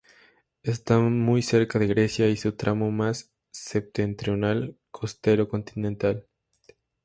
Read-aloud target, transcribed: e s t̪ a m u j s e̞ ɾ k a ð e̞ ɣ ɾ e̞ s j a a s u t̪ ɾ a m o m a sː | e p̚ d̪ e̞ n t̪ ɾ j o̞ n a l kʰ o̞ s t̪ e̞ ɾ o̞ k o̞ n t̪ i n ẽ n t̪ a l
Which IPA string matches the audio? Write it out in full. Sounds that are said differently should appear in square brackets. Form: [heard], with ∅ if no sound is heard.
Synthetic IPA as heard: e s t̪ a m u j s e̞ ɾ k a ð e̞ ɣ ɾ e̞ s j a [i] s u t̪ ɾ a m o m a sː | e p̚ [t̪] e̞ n t̪ ɾ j o̞ n a l kʰ o̞ s t̪ e̞ ɾ o̞ k o̞ n t̪ i n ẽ n t̪ a l